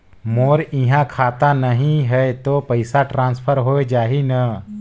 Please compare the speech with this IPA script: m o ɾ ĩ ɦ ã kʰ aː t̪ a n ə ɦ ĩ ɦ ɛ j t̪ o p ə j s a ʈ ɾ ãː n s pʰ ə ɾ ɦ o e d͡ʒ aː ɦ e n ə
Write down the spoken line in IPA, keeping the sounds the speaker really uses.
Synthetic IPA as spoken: m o ɾ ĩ ɦ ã kʰ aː t̪ a n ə ɦ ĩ ɦ ɛ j t̪ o p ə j s a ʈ ɾ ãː n s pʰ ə ɾ ɦ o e d͡ʒ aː ɦ i n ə